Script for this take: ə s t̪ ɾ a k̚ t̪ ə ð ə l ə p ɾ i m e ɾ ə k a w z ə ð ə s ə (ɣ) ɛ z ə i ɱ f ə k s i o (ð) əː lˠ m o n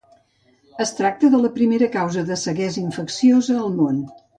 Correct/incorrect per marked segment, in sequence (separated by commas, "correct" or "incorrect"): correct, incorrect